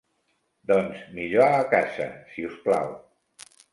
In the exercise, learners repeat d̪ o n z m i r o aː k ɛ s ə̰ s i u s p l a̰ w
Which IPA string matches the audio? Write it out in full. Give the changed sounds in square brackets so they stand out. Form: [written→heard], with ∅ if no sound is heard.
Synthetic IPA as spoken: d̪ [o→ɔ] n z m i [r→ʎ] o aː k [ɛ→a] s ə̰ s i u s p l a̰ w